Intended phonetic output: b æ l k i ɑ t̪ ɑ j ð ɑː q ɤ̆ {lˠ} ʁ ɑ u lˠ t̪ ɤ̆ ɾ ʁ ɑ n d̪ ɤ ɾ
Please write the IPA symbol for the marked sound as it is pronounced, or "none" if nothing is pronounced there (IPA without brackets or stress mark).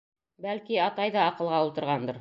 lˠ